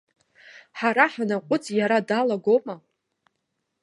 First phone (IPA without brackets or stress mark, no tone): ħ